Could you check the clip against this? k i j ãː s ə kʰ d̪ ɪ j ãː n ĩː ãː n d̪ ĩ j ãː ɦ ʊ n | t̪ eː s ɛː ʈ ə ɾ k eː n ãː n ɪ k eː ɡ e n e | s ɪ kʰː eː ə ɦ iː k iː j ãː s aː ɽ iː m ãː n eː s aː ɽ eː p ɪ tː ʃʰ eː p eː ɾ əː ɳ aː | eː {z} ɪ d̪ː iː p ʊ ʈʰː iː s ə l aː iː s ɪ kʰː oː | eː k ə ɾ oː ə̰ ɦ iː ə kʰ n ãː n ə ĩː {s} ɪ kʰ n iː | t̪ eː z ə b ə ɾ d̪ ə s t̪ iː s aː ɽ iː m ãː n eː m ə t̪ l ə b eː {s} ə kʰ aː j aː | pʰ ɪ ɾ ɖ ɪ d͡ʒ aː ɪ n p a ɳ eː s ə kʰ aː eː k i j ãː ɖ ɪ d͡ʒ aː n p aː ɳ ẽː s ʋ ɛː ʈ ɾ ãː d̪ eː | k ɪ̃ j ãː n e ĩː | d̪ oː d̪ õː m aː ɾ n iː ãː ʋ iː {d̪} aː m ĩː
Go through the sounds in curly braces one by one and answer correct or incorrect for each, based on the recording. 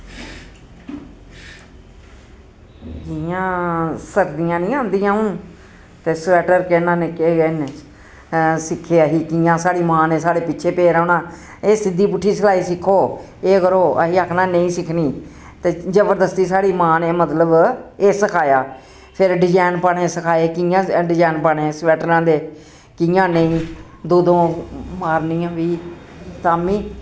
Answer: incorrect, correct, correct, incorrect

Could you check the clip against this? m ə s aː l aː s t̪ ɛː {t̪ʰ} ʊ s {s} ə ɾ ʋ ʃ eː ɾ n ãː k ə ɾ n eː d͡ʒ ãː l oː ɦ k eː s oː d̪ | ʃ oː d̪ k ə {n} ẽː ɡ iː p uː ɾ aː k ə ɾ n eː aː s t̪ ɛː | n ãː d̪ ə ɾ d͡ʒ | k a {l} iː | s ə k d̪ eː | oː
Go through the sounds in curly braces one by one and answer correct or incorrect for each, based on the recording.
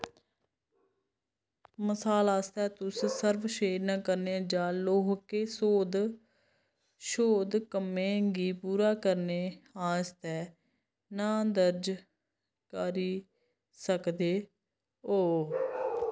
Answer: incorrect, correct, incorrect, incorrect

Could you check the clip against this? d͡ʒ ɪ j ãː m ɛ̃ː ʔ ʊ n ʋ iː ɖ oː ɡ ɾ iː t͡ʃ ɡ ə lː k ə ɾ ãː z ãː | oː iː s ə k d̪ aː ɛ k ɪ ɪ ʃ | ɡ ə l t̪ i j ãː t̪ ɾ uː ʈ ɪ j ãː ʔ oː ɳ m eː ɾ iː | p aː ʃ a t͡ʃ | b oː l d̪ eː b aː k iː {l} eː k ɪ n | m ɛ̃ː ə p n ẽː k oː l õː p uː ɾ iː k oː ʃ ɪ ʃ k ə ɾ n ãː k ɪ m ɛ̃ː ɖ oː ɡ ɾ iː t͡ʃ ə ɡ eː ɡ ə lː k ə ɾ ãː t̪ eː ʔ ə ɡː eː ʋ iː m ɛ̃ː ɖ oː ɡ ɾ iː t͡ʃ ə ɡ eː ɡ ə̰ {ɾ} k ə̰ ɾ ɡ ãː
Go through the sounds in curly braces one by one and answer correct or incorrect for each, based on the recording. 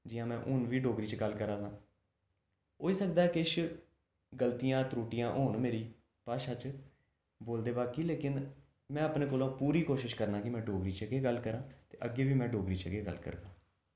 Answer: correct, incorrect

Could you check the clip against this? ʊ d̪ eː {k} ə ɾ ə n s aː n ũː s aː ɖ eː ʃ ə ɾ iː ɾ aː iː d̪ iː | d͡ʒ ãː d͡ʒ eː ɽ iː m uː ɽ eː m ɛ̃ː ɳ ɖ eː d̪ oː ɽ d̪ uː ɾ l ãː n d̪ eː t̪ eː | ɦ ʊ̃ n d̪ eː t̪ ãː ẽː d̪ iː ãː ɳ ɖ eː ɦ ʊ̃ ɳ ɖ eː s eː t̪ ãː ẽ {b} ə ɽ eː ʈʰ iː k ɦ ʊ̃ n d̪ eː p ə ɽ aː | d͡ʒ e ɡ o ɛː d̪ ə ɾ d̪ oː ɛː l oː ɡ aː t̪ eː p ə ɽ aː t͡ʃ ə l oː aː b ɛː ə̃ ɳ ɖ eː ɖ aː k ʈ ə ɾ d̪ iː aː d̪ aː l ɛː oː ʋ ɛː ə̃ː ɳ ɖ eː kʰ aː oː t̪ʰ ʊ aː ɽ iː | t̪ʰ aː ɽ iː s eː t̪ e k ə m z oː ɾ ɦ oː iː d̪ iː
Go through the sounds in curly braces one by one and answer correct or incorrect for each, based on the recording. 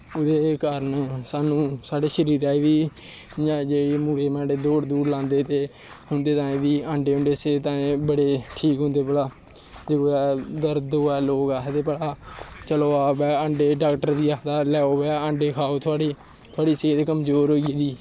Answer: correct, correct

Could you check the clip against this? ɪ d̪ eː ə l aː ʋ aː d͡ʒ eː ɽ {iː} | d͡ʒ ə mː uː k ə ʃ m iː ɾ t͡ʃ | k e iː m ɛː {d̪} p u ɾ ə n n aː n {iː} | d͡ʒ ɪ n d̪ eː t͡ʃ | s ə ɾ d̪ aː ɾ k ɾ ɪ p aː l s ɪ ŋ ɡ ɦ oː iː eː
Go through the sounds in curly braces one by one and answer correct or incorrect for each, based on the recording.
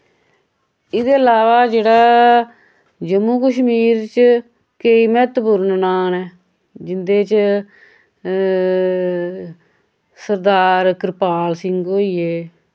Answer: incorrect, incorrect, incorrect

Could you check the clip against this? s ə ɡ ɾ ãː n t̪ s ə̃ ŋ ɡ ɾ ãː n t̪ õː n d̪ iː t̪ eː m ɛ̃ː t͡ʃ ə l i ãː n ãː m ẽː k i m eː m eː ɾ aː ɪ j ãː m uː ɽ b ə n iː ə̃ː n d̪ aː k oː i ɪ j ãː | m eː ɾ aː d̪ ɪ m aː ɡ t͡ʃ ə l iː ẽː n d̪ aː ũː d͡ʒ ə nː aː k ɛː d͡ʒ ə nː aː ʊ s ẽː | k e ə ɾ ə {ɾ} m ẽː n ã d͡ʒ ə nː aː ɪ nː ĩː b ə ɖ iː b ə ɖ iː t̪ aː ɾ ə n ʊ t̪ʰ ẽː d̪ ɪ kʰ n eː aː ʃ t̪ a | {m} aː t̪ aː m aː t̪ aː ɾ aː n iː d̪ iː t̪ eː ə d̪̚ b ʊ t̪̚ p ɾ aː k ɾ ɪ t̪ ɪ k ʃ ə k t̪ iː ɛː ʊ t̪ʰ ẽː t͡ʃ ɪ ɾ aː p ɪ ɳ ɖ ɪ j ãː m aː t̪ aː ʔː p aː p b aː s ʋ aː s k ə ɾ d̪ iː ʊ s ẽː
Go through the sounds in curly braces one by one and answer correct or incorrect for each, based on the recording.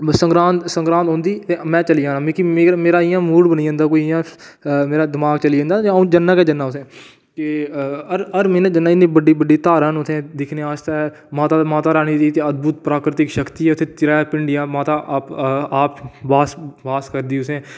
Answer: correct, correct

